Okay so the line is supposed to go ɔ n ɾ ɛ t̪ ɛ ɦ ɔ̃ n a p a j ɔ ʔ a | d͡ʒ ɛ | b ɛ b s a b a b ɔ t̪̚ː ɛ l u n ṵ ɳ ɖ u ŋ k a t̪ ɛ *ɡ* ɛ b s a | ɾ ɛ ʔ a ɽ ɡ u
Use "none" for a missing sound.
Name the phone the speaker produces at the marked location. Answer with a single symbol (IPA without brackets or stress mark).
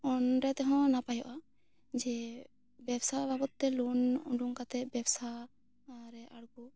b